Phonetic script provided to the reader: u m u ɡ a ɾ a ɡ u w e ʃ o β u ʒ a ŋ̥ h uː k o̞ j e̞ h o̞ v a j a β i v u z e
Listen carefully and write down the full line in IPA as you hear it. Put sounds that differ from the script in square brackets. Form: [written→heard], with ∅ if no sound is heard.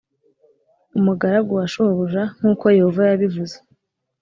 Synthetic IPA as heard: u m u ɡ a ɾ a ɡ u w [e→a] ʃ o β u ʒ a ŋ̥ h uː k o̞ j e̞ h o̞ v a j a β i v u z e